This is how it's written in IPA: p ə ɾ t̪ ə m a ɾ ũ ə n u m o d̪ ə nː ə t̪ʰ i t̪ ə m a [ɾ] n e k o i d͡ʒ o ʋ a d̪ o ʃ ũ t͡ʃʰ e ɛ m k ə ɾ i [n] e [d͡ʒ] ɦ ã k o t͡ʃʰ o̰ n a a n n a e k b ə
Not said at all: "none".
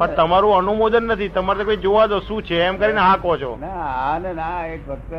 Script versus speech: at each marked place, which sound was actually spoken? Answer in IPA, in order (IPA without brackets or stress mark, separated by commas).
ɾ, n, none